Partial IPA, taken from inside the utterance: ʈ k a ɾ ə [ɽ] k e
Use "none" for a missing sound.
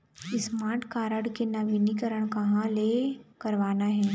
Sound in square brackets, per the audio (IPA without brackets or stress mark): ɽ